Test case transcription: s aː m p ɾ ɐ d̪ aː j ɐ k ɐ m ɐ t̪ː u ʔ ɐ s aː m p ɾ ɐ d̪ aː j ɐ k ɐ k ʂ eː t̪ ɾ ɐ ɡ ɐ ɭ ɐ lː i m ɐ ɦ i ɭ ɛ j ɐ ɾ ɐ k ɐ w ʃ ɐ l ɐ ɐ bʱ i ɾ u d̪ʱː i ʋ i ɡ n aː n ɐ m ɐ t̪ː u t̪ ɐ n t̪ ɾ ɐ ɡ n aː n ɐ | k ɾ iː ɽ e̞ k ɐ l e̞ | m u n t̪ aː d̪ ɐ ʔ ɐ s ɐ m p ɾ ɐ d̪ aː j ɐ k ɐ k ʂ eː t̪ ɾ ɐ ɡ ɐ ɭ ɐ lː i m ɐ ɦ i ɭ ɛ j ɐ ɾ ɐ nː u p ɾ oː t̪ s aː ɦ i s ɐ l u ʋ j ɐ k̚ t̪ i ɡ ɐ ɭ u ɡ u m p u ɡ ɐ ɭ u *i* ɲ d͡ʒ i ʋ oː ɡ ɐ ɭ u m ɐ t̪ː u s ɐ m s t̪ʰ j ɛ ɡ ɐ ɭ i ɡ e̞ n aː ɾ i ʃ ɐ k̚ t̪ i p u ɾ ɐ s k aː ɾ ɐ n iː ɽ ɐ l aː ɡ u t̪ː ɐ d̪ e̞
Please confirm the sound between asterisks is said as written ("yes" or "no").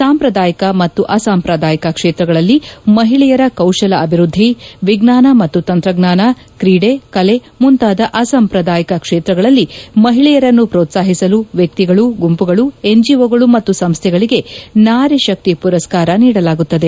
no